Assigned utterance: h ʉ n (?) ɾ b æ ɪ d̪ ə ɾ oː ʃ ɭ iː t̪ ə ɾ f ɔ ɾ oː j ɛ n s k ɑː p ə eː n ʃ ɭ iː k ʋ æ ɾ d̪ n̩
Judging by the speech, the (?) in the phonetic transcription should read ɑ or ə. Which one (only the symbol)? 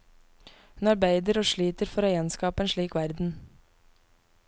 ɑ